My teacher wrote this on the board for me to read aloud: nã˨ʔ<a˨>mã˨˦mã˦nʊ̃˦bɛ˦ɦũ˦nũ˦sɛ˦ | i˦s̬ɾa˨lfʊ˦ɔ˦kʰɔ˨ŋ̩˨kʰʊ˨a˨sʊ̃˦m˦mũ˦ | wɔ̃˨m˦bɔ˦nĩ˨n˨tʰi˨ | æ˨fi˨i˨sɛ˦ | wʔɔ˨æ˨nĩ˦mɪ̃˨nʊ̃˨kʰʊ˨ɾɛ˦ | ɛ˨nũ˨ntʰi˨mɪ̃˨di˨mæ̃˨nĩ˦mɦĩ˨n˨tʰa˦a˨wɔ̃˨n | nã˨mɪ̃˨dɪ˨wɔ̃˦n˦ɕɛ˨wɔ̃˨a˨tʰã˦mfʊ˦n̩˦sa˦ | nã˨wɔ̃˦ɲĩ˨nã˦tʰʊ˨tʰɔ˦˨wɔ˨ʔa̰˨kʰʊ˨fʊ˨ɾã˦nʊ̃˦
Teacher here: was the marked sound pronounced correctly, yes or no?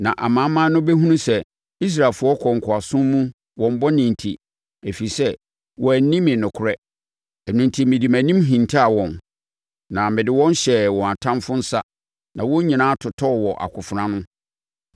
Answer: yes